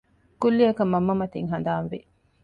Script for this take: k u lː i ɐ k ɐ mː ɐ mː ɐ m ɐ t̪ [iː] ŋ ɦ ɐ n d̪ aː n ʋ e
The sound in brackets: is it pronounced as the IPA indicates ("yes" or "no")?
no